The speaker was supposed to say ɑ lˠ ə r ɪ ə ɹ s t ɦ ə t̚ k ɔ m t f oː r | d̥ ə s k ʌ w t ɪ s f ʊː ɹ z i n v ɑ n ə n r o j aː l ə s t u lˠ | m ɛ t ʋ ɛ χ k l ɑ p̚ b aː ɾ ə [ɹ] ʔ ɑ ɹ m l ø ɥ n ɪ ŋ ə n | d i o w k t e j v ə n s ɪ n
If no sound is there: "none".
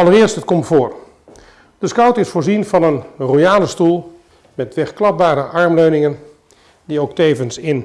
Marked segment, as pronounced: none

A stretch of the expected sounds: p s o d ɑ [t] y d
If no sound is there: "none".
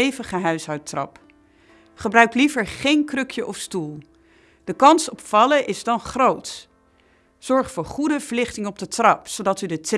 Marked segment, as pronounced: t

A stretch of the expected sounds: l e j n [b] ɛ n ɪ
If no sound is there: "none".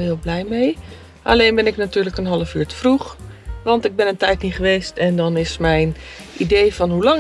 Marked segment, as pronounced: b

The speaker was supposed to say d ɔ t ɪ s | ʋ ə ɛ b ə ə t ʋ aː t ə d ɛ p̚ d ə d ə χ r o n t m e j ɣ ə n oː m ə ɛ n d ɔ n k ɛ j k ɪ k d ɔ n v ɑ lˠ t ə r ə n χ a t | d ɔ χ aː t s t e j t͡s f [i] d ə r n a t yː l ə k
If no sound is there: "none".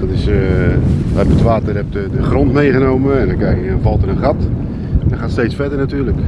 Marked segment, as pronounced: ɛ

